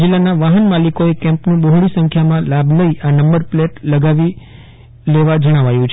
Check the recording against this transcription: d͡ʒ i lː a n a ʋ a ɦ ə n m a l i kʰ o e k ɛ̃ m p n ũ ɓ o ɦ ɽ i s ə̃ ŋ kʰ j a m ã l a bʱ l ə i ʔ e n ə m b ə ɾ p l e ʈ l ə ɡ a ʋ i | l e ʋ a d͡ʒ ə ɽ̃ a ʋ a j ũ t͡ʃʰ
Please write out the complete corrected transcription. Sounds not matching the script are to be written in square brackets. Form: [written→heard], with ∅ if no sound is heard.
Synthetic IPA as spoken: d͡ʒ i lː a n a ʋ a ɦ ə n m a l i [kʰ→k] o e k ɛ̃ m p n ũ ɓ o ɦ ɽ i s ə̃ ŋ kʰ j a m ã l a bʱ l ə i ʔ [e→a] n ə m b ə ɾ p l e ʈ l ə ɡ a ʋ i | l e ʋ a d͡ʒ ə ɽ̃ a ʋ a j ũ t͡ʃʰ

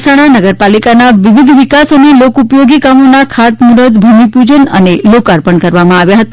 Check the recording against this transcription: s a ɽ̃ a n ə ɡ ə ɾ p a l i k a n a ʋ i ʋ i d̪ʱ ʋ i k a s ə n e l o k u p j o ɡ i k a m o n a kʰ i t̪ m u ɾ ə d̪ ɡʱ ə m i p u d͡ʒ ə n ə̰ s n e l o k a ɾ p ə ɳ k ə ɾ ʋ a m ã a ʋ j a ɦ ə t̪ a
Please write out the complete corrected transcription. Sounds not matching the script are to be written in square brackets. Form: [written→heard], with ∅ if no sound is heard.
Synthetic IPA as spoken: s a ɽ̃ a n ə ɡ ə ɾ p a l i k a n a ʋ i ʋ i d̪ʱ ʋ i k a s ə n e l o k u p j o ɡ i k a m o n a kʰ [i→a] t̪ m u ɾ ə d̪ [ɡʱ→bʱ] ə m i p u d͡ʒ ə n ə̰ [s→∅] n e l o k a ɾ p ə ɳ k ə ɾ ʋ a m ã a ʋ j a ɦ ə t̪ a

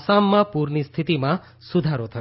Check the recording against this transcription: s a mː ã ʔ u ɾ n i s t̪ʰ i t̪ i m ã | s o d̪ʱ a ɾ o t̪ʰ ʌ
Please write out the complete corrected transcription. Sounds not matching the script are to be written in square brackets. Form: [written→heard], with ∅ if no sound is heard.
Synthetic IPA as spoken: s a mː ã [ʔ→p] u ɾ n i s t̪ʰ i t̪ i m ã | s [o→u] d̪ʱ a ɾ o t̪ʰ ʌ

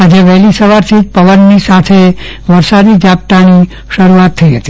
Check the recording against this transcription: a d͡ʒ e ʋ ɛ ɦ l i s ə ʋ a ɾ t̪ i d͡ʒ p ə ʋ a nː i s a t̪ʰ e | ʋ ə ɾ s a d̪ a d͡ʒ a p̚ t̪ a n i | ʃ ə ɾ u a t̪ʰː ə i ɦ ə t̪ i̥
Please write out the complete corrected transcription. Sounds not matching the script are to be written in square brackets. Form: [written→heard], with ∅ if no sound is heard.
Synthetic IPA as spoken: a d͡ʒ e ʋ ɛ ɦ l i s ə ʋ a ɾ [t̪→t̪ʰ] i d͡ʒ p ə ʋ [a→ə] nː i s a t̪ʰ e | ʋ ə ɾ s a d̪ [a→i] d͡ʒ a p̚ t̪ a n i | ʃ ə ɾ u a t̪ʰː ə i ɦ ə t̪ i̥

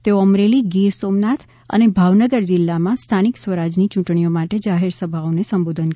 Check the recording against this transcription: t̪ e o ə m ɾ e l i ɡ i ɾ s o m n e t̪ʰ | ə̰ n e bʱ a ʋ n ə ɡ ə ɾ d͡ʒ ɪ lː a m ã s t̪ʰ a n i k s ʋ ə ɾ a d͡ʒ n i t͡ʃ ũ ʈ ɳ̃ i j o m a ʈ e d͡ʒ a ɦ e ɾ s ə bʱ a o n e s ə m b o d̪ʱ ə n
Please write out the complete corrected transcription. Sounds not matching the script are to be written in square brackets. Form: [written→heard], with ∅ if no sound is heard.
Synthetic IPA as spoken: t̪ e o ə m ɾ e l i ɡ i ɾ s o m n [e→a] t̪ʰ | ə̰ n e bʱ a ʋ n ə ɡ ə ɾ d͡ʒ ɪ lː a m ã s t̪ʰ a n i k s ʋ ə ɾ a d͡ʒ n i t͡ʃ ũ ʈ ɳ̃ i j o m a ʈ e d͡ʒ a ɦ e ɾ s ə bʱ a o n e s ə m b o d̪ʱ ə n

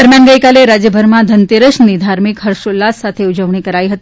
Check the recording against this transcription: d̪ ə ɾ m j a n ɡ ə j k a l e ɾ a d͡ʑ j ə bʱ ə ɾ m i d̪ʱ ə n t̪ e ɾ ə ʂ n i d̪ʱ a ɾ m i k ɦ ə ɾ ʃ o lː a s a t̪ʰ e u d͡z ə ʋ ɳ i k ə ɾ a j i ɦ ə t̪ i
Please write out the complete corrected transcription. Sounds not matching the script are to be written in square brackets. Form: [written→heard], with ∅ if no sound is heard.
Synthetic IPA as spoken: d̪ ə ɾ m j a n ɡ ə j k a l e ɾ a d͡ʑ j ə bʱ ə ɾ m [i→a] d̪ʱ ə n t̪ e ɾ ə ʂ n i d̪ʱ a ɾ m i k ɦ ə ɾ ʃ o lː a s a t̪ʰ e u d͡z ə ʋ ɳ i k ə ɾ a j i ɦ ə t̪ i

